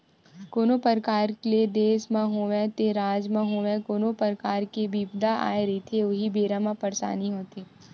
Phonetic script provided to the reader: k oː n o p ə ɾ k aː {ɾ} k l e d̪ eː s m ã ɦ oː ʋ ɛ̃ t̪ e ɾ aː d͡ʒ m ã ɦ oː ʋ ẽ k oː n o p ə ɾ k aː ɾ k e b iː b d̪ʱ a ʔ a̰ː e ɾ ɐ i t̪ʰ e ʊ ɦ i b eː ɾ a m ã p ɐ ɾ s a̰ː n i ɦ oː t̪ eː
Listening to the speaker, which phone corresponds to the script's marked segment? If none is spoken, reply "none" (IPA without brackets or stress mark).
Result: ɾ